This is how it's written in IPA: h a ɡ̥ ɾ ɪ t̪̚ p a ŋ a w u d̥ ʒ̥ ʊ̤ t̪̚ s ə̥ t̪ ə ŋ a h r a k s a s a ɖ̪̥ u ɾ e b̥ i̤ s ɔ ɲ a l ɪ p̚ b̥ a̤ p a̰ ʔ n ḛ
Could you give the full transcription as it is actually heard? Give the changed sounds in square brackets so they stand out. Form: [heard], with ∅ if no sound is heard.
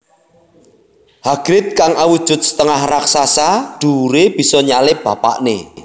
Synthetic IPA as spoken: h a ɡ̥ ɾ ɪ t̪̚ [k] a ŋ a w u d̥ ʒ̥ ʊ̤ t̪̚ s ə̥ t̪ ə ŋ a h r a k s a s a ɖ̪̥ u ɾ e b̥ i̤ s ɔ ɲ a l ɪ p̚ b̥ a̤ p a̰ ʔ n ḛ